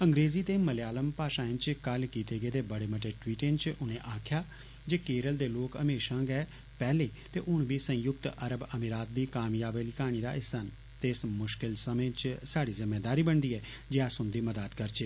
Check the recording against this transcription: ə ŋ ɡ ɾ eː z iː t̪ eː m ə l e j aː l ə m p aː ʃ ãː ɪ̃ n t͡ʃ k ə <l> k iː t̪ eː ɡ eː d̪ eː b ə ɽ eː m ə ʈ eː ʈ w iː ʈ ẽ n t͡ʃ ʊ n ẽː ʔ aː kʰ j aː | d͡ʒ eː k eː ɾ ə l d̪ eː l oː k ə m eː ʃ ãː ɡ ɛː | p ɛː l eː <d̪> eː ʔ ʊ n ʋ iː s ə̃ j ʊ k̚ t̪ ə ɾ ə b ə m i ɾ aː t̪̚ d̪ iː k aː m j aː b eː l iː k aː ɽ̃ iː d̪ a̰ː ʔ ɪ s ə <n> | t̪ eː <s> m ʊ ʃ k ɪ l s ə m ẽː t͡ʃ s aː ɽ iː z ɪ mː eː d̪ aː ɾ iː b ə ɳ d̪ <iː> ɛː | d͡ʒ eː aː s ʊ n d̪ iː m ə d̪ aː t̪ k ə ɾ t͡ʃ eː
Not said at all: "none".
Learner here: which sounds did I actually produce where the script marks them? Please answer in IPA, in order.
l, t̪, n, s, iː

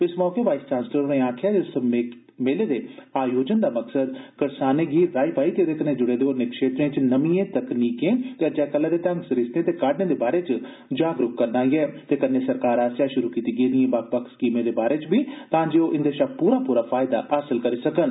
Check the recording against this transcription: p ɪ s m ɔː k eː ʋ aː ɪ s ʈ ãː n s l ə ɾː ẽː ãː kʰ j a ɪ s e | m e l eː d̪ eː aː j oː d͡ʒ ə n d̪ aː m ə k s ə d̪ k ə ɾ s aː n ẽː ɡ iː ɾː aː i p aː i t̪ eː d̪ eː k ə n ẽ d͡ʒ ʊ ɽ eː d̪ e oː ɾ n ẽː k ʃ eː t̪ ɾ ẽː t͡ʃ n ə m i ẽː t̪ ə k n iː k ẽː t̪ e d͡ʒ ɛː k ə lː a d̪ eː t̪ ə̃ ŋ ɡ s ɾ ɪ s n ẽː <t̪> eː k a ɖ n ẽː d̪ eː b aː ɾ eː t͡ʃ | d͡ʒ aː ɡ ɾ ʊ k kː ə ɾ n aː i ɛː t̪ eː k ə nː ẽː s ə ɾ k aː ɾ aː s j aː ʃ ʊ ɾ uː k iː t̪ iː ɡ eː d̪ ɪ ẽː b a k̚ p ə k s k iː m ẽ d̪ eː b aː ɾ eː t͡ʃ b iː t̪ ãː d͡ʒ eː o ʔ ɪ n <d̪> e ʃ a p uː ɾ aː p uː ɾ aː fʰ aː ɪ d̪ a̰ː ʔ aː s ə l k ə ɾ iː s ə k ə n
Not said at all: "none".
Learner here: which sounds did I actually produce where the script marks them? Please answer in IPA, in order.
t̪, d̪

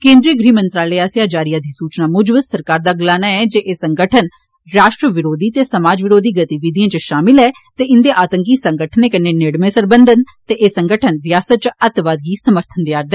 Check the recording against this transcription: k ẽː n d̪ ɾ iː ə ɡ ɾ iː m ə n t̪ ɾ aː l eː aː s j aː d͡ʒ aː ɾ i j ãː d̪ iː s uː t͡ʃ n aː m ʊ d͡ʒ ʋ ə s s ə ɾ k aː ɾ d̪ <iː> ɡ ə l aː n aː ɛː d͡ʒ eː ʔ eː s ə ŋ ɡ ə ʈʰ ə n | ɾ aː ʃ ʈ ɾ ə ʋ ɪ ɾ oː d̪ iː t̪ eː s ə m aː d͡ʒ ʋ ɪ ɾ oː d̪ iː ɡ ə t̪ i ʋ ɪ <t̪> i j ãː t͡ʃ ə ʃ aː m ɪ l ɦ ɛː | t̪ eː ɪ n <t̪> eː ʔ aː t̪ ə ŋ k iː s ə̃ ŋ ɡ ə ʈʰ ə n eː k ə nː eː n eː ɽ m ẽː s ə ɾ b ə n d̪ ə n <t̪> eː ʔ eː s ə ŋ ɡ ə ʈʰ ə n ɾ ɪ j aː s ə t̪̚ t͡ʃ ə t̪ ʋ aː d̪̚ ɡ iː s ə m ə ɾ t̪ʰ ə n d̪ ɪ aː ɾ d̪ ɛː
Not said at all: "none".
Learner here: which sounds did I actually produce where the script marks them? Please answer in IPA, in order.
aː, d̪, d̪, t̪

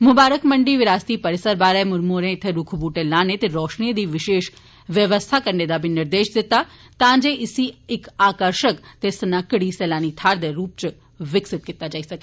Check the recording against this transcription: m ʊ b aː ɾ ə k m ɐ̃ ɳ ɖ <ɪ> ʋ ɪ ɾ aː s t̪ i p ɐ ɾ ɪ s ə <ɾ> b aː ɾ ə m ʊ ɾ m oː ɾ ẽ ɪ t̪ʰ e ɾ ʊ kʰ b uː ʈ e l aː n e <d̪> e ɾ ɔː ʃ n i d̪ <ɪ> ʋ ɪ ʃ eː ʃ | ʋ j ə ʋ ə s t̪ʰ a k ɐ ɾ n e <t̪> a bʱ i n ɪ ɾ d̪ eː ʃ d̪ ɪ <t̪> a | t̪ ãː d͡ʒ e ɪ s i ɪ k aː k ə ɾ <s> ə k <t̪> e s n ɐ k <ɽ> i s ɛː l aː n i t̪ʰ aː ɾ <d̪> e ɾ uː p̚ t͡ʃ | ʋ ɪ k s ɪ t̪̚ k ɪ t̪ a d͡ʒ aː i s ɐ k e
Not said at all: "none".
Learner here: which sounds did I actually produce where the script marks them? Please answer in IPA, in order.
i, ɾ, t̪, i, d̪, t̪, ʃ, t̪, ɽ, d̪

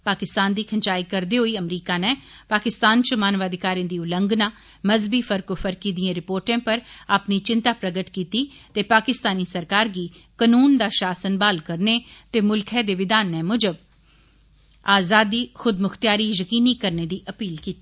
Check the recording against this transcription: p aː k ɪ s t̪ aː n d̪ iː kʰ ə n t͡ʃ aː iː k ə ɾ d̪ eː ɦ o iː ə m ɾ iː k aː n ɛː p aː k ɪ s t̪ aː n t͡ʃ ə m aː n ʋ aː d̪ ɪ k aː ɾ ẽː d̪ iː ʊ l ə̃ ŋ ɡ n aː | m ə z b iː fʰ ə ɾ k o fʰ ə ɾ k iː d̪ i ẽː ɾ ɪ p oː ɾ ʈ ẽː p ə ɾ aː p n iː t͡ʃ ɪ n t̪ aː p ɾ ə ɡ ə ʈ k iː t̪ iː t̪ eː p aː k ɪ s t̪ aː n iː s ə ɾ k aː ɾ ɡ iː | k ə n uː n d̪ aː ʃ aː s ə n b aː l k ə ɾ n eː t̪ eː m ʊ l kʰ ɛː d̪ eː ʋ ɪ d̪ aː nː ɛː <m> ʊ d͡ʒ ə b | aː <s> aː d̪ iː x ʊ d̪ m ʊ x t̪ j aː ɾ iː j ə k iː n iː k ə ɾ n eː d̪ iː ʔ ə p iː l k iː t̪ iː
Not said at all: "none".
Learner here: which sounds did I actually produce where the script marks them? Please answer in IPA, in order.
m, z

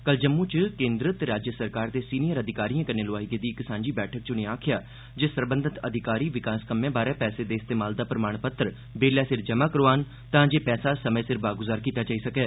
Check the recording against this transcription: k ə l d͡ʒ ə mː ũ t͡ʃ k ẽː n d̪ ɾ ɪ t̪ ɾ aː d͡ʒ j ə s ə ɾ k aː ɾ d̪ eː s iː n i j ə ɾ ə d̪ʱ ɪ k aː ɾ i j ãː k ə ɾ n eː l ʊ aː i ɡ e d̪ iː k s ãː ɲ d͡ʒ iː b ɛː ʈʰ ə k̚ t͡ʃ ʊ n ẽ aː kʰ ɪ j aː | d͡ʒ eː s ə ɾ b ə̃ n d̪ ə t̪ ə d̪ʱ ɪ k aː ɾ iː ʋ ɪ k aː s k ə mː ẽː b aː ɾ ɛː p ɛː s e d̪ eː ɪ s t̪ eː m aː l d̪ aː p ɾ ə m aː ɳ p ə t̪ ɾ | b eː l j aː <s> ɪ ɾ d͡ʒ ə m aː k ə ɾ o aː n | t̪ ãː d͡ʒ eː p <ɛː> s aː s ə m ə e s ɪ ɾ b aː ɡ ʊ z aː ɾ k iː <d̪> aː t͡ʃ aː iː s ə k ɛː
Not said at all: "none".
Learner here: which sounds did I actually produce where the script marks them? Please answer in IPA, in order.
s, ɛː, t̪

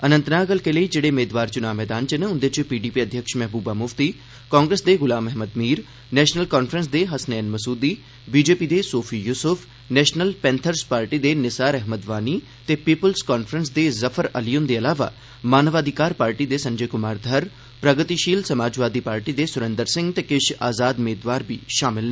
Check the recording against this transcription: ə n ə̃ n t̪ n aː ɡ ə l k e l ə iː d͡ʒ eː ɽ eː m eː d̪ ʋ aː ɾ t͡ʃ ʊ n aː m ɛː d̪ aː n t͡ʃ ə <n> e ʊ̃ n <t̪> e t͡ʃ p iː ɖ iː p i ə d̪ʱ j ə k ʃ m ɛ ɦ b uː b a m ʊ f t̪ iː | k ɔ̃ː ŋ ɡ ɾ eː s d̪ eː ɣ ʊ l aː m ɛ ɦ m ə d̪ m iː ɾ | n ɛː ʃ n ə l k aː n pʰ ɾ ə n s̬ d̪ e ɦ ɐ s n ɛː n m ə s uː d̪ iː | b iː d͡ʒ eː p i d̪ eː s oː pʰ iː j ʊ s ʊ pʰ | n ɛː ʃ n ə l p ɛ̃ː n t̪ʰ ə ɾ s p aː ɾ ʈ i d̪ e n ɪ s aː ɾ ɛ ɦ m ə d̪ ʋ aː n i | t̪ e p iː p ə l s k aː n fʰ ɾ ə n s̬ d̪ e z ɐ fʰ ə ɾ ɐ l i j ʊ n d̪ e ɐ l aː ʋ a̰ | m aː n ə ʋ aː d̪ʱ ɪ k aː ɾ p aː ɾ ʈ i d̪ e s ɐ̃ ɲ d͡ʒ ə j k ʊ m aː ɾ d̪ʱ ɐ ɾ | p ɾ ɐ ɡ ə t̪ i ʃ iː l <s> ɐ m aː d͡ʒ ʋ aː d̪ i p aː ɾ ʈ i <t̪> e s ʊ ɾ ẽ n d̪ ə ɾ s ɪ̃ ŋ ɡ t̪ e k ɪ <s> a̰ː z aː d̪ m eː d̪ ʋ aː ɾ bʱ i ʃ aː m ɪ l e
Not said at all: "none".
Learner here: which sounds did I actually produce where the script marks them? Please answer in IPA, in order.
n, d̪, s, d̪, ʃ

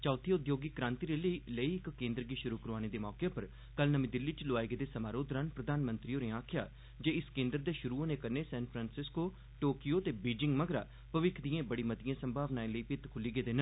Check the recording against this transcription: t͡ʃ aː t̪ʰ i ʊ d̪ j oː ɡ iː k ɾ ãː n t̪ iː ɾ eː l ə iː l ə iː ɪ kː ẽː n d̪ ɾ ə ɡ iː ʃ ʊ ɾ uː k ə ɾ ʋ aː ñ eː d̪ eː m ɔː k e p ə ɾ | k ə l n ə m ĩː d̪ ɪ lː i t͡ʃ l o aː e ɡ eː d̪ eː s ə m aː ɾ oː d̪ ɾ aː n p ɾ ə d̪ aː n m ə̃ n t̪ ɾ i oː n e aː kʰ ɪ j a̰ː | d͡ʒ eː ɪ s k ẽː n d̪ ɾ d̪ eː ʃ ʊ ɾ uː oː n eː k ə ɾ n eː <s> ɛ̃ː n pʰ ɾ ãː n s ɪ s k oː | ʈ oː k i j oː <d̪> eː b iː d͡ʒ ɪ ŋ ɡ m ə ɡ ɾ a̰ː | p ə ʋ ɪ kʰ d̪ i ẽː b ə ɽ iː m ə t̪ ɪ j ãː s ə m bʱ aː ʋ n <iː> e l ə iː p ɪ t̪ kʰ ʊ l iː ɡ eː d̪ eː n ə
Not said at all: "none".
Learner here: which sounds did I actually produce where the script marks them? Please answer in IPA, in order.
s, t̪, aː

